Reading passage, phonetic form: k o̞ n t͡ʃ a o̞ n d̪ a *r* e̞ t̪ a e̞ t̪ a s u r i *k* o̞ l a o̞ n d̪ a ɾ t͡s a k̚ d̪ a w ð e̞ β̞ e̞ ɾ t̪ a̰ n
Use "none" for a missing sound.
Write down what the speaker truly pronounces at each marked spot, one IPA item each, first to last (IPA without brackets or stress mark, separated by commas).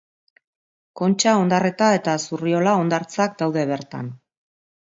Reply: r, none